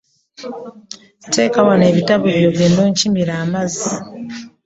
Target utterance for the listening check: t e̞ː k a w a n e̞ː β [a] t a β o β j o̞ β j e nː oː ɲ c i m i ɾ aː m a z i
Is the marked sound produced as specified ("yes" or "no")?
no